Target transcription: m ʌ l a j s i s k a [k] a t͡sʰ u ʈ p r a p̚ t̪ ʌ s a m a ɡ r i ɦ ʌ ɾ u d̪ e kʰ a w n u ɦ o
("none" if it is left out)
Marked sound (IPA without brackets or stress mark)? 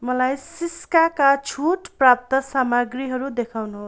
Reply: k